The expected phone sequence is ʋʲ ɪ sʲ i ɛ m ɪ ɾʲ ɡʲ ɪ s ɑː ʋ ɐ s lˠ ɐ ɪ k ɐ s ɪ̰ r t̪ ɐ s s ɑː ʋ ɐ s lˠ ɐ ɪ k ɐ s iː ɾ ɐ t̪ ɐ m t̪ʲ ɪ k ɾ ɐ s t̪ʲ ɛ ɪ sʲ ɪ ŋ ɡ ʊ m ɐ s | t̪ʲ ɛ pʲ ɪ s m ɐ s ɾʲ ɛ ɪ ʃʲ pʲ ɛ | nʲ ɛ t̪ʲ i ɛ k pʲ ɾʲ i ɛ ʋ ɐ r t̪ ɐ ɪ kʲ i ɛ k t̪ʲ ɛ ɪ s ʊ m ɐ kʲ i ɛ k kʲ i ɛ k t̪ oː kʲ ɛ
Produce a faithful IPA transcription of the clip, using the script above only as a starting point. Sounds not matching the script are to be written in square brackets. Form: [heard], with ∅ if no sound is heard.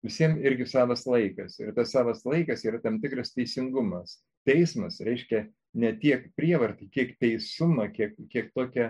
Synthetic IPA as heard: ʋʲ ɪ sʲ i ɛ m ɪ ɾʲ ɡʲ ɪ s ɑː ʋ ɐ s lˠ ɐ ɪ k ɐ s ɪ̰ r t̪ ɐ s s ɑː ʋ ɐ s lˠ ɐ ɪ k ɐ s iː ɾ ɐ t̪ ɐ m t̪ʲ ɪ k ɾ ɐ s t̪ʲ ɛ ɪ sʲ ɪ ŋ ɡ ʊ m ɐ s | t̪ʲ ɛ [∅] ɪ s m ɐ s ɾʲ ɛ ɪ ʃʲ [kʲ] ɛ | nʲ ɛ t̪ʲ i ɛ k pʲ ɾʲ i ɛ ʋ ɐ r t̪ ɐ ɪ kʲ i ɛ k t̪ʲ ɛ ɪ s ʊ m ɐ kʲ i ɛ k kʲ i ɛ k t̪ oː kʲ ɛ